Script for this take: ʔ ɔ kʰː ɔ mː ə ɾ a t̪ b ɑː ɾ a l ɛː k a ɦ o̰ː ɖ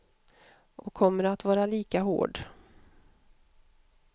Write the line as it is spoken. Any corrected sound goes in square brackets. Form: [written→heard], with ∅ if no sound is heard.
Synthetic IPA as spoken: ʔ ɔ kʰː ɔ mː ə ɾ a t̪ [b→v] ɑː ɾ a l [ɛː→iː] k a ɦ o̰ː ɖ